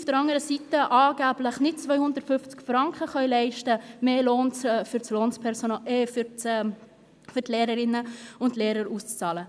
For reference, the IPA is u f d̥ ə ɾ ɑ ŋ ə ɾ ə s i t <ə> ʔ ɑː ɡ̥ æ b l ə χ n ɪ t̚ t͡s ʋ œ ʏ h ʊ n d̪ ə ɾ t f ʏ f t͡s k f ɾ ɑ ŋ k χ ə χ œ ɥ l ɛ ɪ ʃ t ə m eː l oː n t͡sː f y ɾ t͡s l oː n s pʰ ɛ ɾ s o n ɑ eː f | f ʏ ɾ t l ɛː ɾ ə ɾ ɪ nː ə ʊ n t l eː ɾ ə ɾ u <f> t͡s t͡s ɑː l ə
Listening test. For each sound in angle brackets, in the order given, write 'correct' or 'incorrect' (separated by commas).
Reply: correct, incorrect